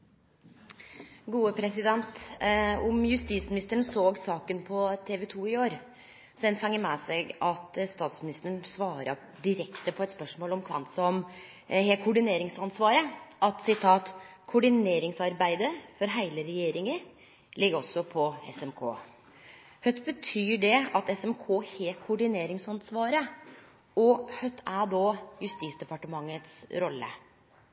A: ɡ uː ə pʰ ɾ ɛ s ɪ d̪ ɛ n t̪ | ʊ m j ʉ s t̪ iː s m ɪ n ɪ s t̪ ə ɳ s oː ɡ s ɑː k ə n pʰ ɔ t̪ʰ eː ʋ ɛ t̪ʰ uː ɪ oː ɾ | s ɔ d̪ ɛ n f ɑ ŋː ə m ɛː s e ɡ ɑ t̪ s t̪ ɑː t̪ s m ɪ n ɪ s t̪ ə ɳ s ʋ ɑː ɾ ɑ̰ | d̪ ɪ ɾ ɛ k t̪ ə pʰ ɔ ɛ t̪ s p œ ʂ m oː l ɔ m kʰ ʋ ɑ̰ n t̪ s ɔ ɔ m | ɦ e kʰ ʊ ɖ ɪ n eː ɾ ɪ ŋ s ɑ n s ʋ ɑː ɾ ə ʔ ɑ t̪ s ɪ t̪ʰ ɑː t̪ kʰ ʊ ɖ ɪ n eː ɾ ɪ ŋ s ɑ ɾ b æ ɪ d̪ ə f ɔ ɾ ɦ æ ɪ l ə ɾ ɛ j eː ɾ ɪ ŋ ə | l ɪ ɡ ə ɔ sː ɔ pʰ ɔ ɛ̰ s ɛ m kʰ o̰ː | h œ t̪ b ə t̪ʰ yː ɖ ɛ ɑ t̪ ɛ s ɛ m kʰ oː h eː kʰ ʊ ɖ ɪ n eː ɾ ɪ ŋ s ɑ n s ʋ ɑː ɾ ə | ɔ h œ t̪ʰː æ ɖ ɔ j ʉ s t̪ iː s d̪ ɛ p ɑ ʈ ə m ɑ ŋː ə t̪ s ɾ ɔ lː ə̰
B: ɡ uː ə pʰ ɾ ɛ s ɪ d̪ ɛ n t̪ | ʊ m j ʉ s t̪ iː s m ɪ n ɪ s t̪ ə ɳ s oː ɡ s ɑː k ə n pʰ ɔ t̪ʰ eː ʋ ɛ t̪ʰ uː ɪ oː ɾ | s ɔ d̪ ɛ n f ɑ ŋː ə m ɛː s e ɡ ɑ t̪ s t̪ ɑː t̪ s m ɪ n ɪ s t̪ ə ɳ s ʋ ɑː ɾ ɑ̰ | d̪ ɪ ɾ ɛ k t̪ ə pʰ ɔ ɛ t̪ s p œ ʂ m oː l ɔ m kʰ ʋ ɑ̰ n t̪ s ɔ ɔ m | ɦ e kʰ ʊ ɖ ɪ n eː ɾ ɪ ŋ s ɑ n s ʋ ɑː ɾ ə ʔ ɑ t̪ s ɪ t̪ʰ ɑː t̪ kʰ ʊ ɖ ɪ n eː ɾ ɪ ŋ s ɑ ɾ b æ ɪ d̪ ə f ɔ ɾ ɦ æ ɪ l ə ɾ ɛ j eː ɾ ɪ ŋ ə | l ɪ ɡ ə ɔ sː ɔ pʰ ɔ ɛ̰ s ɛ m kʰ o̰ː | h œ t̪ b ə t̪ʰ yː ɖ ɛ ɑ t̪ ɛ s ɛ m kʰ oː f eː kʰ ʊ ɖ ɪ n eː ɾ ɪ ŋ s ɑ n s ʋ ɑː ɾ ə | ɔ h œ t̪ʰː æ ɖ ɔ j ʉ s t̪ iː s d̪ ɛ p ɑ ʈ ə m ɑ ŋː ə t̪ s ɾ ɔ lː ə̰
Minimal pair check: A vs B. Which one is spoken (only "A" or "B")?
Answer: A